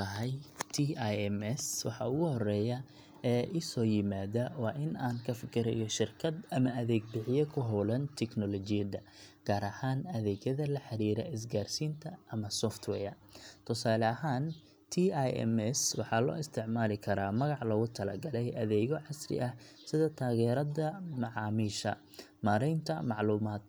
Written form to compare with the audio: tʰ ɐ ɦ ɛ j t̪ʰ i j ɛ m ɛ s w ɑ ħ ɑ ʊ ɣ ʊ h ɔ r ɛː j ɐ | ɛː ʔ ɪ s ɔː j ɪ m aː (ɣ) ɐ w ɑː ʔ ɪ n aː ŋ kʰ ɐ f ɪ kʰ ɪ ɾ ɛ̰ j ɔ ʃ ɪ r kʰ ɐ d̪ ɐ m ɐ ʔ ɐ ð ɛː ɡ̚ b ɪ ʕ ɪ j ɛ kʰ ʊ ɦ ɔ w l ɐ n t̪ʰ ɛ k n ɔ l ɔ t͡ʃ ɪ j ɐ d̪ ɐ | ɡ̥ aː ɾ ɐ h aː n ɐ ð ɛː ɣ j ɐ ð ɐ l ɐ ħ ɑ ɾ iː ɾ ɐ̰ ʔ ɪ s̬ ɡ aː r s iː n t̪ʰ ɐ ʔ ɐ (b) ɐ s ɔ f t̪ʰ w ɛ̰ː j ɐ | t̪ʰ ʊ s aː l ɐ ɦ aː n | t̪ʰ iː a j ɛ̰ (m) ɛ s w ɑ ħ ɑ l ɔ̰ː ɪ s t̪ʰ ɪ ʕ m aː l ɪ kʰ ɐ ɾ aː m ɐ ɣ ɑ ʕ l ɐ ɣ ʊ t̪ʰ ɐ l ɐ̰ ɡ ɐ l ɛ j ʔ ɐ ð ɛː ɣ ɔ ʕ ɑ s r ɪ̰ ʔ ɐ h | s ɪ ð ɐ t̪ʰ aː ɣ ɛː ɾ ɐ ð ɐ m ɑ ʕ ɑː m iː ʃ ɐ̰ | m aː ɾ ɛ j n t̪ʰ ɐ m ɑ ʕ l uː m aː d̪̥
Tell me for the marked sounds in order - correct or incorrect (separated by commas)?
incorrect, incorrect, correct